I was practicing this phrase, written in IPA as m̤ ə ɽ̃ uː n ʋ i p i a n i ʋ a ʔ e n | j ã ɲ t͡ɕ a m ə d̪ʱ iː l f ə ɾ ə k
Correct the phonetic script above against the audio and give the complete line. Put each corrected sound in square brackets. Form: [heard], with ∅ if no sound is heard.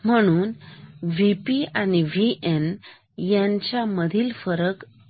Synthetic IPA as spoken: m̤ ə ɽ̃ uː n ʋ i p i a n i ʋ [i] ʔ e n | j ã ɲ t͡ɕ a m ə d̪ʱ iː l f ə ɾ ə k

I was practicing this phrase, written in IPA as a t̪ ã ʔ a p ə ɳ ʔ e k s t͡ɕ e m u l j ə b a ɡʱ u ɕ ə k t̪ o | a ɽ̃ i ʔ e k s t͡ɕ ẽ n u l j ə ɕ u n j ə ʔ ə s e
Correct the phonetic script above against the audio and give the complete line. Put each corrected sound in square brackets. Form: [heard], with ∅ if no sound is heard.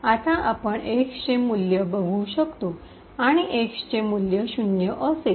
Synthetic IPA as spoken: a t̪ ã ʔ a p ə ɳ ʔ e k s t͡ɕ e m u l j ə b [ə] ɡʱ u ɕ ə k t̪ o | a ɽ̃ i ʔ e k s t͡ɕ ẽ [m] u l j ə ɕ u n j ə ʔ ə s e

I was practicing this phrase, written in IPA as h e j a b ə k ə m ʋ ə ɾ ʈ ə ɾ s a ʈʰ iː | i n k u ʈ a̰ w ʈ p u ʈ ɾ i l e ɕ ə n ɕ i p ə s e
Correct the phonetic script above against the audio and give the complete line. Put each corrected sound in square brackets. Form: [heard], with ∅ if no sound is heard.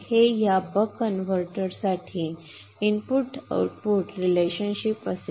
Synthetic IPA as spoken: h e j a b ə k ə [n] ʋ ə ɾ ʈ ə ɾ s a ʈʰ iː | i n [p] u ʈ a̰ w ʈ p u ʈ ɾ i l e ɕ ə n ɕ i p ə s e

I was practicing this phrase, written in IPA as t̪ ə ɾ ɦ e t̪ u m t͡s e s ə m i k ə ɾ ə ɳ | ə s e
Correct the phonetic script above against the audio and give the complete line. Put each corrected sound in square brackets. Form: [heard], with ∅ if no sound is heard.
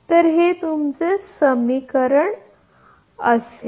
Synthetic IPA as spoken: t̪ ə ɾ ɦ e t̪ u m t͡s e s ə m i k ə ɾ ə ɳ | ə s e

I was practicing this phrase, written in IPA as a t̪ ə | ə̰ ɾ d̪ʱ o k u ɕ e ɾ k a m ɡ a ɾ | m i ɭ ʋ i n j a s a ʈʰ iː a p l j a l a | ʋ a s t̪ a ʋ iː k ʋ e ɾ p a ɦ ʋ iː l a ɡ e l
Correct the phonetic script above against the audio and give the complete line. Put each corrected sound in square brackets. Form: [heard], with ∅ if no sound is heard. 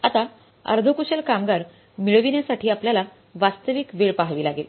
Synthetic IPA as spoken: a t̪ [a] | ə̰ ɾ d̪ʱ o k u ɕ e [l] k a m ɡ a ɾ | m i ɭ ʋ i n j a s a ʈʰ iː a p l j a l a | ʋ a s t̪ [ə] ʋ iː k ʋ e [ɭ] p a ɦ ʋ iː l a ɡ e l

